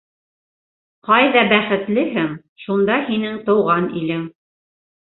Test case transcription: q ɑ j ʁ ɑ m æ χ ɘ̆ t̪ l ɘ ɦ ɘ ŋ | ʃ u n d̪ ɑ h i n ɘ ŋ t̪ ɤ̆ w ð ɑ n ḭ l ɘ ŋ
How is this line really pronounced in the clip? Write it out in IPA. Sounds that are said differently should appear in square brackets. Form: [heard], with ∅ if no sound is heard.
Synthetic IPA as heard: q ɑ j [ð] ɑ [b] æ χ ɘ̆ t̪ l ɘ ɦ ɘ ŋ | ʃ u n d̪ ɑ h i n ɘ ŋ t̪ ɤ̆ w [ʁ] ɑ n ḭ l ɘ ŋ

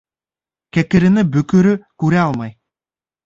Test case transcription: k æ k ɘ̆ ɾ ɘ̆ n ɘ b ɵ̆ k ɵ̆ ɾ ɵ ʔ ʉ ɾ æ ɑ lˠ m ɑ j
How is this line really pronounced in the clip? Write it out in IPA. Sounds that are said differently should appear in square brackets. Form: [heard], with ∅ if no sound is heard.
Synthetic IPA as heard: k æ k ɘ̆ ɾ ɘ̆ n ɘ b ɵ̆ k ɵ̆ ɾ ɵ [k] ʉ ɾ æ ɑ lˠ m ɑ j

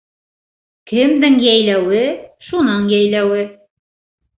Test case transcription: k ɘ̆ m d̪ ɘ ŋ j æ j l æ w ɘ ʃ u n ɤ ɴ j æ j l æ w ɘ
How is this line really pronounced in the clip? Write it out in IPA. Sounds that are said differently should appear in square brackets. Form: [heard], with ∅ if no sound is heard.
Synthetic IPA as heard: k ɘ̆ m d̪ ɘ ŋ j æ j l æ w ɘ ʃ u n ɤ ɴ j æ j l æ w ɘ

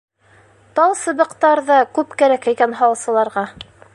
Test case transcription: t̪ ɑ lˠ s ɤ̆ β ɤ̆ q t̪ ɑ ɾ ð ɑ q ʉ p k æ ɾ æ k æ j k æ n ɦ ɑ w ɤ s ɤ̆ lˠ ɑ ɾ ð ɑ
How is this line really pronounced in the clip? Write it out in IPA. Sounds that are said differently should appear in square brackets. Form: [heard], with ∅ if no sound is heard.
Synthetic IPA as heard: t̪ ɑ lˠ s ɤ̆ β ɤ̆ q t̪ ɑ ɾ ð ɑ [k] ʉ p k æ ɾ æ k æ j k æ n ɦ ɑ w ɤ s ɤ̆ lˠ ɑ ɾ [ʁ] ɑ

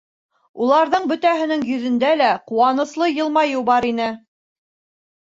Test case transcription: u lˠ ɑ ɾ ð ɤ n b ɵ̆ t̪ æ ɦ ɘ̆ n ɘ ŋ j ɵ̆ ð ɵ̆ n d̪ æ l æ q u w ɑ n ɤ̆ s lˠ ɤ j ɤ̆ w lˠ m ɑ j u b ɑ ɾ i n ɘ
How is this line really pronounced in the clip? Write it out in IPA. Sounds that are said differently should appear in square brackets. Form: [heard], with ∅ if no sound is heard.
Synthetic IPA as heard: u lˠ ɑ ɾ ð ɤ [ɴ] b ɵ̆ t̪ æ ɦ ɘ̆ n ɘ ŋ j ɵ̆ ð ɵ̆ n d̪ æ l æ q u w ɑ n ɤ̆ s lˠ ɤ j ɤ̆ [∅] lˠ m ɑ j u b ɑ ɾ i n ɘ

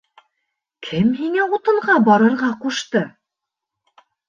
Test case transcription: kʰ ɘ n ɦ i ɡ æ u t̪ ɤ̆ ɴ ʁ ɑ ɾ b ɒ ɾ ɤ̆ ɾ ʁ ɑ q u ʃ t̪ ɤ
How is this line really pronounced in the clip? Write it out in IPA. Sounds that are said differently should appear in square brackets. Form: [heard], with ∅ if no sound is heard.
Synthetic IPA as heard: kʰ ɘ [m] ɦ i [ŋ] æ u t̪ ɤ̆ ɴ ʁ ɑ [∅] b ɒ ɾ ɤ̆ ɾ ʁ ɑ q u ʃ t̪ ɤ

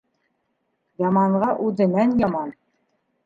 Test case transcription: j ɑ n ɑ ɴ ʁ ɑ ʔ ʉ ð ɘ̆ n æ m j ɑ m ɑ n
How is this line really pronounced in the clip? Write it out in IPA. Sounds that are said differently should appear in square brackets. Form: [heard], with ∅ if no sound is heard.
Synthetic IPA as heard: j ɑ [m] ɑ ɴ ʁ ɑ ʔ ʉ ð ɘ̆ n æ [n] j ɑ m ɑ n

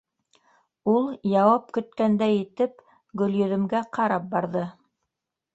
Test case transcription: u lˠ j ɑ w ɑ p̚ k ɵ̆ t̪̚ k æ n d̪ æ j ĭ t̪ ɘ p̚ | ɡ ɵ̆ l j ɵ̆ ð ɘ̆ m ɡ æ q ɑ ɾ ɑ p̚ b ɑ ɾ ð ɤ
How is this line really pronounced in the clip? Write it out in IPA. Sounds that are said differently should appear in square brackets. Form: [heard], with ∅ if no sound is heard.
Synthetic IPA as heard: u lˠ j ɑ w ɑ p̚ k ɵ̆ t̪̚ k æ n d̪ æ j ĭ t̪ ɘ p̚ | ɡ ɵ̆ l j ɵ̆ ð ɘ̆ m ɡ æ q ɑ ɾ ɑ p̚ b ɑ ɾ ð ɤ

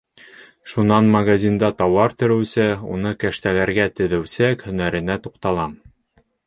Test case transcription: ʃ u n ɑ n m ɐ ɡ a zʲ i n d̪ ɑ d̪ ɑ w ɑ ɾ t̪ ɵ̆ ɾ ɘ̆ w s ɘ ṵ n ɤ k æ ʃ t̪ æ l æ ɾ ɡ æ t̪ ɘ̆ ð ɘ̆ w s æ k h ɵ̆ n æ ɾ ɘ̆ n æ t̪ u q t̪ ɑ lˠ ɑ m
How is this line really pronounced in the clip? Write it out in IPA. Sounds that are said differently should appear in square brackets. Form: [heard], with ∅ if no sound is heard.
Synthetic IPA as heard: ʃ u n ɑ n m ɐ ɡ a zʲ i n d̪ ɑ [t̪] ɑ w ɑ ɾ t̪ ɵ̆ ɾ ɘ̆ w s ɘ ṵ n ɤ k æ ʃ t̪ æ l æ ɾ ɡ æ t̪ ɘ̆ ð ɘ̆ w s æ k h ɵ̆ n æ ɾ ɘ̆ n æ t̪ u q t̪ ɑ lˠ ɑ m

